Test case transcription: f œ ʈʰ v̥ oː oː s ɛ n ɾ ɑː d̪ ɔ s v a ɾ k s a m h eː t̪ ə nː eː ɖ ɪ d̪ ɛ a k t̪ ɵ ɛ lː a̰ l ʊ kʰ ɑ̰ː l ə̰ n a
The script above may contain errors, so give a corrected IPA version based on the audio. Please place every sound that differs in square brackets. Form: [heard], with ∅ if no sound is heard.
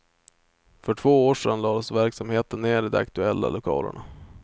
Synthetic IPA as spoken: f œ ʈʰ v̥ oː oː [ʂ] ɛ n [l] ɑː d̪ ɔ s v [æ] ɾ k s a m h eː t̪ ə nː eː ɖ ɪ d̪ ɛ a k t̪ ɵ ɛ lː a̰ l ʊ kʰ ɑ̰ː l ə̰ [ɳ] a